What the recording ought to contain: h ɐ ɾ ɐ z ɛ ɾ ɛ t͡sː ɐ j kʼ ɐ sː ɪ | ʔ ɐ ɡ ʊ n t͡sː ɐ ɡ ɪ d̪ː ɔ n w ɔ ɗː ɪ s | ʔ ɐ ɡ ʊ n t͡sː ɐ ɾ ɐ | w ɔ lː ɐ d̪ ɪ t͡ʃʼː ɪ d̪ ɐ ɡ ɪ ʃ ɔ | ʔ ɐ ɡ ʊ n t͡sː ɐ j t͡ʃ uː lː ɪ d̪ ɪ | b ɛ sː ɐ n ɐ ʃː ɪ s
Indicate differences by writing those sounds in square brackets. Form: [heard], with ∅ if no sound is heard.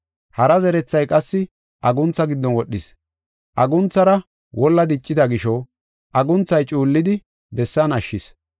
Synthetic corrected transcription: h ɐ ɾ ɐ z ɛ ɾ ɛ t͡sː ɐ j kʼ ɐ sː ɪ | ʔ ɐ ɡ ʊ n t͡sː ɐ ɡ ɪ d̪ː ɔ n w ɔ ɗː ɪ s | ʔ ɐ ɡ ʊ n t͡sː ɐ ɾ ɐ | w ɔ lː ɐ d̪ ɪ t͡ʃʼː ɪ d̪ ɐ ɡ ɪ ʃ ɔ | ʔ ɐ ɡ ʊ n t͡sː ɐ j [t͡ʃʼ] uː lː ɪ d̪ ɪ | b ɛ sː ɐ n ɐ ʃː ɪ s